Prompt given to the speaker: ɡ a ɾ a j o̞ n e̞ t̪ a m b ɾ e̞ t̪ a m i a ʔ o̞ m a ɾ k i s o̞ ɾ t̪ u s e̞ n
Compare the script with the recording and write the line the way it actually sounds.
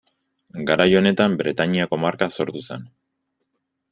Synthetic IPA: ɡ a ɾ a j o̞ n e̞ t̪ a m b ɾ e̞ t̪ a ɲ i a k o̞ m a ɾ k a s o̞ ɾ t̪ u s e̞ n